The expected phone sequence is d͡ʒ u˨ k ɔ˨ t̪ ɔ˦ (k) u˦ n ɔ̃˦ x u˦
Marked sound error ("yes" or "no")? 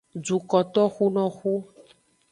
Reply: yes